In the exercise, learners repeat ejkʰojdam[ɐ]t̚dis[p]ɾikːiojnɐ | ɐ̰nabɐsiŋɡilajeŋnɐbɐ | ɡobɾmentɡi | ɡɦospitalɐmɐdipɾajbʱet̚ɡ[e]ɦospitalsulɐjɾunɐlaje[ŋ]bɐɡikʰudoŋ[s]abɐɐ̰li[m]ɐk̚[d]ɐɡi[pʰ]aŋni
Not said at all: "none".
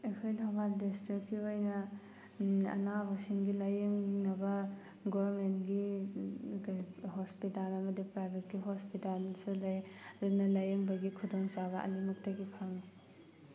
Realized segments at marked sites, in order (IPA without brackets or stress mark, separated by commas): a, t, i, ŋ, s, m, t, pʰ